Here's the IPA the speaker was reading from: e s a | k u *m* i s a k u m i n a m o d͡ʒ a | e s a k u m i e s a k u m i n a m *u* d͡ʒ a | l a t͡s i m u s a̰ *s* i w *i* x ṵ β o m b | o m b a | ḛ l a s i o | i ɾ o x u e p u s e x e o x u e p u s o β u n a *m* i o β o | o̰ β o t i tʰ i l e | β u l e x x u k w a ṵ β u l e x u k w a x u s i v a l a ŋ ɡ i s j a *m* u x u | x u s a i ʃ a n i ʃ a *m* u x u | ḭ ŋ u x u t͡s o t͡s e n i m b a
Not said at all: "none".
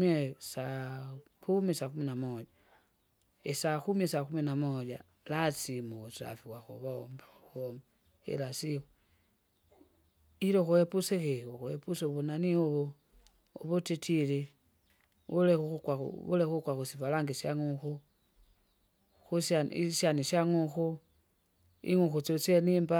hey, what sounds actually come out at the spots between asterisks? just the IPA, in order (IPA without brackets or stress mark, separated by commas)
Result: m, o, f, a, n, ŋ, ŋ